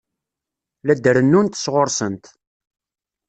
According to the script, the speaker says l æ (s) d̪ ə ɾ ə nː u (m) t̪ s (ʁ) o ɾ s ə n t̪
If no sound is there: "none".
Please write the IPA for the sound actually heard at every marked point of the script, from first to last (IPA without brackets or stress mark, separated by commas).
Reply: none, n, ʁ